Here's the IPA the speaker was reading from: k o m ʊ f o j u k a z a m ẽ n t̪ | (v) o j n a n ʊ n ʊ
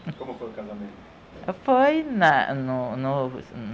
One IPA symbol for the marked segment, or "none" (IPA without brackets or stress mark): f